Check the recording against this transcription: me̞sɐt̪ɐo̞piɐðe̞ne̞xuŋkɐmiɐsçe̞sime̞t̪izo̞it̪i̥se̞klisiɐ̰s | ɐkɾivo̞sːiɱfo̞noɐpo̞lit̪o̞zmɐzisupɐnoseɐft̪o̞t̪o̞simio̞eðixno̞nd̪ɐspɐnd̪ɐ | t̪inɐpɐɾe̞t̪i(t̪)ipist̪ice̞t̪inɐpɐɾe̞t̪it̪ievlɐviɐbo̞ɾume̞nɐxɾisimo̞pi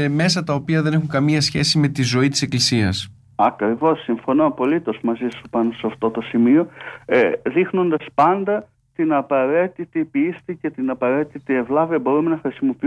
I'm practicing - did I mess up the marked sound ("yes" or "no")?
no